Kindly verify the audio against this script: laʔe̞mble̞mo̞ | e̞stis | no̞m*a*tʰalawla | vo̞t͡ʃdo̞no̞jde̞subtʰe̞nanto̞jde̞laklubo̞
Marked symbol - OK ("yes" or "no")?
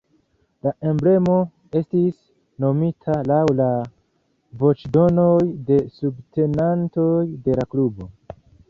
no